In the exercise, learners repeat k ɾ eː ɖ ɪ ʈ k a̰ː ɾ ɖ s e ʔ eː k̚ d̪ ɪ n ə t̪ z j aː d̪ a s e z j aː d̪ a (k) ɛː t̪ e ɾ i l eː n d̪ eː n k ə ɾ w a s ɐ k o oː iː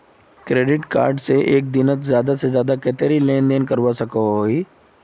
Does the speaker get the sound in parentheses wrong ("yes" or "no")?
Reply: no